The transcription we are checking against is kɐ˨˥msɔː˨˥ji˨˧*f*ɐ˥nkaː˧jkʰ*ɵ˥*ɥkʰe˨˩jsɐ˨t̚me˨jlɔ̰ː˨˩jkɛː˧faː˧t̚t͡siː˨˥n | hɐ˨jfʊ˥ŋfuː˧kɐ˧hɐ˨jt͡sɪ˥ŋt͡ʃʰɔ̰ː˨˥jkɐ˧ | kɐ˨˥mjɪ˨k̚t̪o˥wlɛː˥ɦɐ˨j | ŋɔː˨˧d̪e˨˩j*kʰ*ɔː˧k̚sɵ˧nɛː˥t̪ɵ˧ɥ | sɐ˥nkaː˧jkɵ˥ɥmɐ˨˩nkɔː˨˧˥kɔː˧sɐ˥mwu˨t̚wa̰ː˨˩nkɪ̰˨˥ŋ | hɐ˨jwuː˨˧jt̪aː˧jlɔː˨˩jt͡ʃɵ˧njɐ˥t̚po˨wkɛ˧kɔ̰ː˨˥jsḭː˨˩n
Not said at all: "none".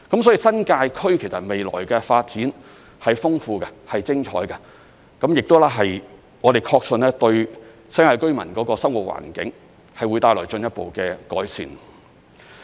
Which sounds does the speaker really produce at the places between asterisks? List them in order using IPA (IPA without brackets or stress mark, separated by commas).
s, ɵ˥, kʰ